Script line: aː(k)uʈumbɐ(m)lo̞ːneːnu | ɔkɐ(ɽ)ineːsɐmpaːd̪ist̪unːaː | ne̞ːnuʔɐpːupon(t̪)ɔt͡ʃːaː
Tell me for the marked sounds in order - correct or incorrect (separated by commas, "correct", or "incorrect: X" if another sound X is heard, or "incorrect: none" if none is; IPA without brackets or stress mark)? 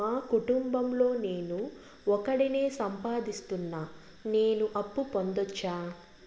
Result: correct, correct, correct, incorrect: d̪